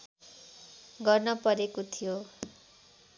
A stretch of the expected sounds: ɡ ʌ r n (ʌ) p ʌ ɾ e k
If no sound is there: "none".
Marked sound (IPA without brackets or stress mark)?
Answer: ʌ